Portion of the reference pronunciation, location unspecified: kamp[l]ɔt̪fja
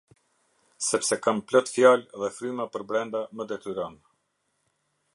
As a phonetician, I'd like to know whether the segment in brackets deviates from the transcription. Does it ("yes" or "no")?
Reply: no